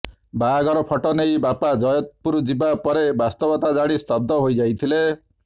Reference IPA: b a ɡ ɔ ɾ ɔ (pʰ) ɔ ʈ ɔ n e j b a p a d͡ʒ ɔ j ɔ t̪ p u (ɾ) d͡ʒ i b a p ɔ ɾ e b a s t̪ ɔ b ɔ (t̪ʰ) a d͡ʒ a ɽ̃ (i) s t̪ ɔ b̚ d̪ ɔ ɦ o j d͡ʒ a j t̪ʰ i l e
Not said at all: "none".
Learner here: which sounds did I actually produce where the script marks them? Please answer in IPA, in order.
pʰ, ɾ, t̪, i

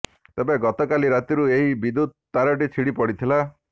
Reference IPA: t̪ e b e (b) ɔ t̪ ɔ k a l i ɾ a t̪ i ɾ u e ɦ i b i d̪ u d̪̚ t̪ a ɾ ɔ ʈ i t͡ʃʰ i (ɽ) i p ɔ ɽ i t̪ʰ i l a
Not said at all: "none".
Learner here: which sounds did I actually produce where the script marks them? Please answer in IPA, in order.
ɡ, ɽ

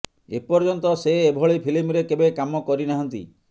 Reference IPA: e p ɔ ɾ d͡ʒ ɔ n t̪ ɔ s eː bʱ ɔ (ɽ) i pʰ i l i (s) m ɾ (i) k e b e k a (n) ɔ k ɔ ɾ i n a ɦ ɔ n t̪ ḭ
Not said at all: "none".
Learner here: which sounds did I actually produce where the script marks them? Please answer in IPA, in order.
ɭ, none, e, m

